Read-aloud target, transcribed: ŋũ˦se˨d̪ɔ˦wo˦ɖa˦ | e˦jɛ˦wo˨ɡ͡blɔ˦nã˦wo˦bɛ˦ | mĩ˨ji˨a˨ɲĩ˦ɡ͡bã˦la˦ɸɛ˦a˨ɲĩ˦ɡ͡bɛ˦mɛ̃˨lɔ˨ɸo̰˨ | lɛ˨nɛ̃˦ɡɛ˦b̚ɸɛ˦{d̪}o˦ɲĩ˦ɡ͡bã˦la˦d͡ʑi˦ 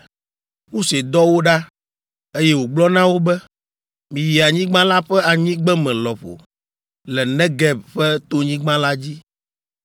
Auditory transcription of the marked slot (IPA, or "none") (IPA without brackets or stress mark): t̪